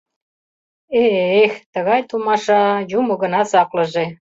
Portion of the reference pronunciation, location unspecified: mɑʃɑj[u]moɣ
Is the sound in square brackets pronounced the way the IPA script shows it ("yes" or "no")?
yes